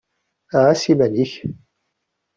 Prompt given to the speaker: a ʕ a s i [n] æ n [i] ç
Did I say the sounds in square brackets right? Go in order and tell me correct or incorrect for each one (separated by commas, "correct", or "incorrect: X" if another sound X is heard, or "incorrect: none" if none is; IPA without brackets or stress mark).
incorrect: m, correct